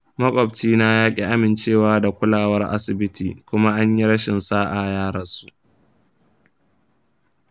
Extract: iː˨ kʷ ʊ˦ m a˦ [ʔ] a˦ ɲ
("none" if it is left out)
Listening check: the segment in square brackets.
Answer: ʔ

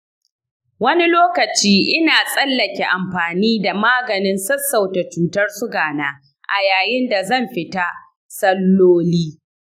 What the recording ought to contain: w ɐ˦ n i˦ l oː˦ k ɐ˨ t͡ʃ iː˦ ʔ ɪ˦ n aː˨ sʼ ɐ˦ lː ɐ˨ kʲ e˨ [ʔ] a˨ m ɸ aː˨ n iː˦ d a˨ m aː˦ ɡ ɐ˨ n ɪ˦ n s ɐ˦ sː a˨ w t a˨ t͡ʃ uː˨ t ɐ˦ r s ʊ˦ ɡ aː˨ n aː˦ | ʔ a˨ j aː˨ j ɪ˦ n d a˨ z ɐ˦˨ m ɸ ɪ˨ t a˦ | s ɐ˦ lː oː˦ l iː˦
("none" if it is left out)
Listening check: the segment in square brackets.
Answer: ʔ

